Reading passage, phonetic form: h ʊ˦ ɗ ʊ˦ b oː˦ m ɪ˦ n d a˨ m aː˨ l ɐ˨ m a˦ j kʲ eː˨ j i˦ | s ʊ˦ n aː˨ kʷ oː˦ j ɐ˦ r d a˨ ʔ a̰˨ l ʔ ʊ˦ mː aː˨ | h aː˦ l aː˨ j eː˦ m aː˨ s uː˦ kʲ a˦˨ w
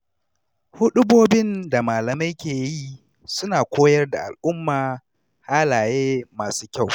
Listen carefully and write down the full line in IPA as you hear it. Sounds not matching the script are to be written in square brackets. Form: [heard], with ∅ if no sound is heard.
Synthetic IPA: h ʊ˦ ɗ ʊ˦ b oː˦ [b] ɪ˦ n d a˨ m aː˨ l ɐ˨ m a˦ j kʲ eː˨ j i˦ | s ʊ˦ n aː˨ kʷ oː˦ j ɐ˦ r d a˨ ʔ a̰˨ l ʔ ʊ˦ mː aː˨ | h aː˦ l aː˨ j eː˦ m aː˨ s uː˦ kʲ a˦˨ w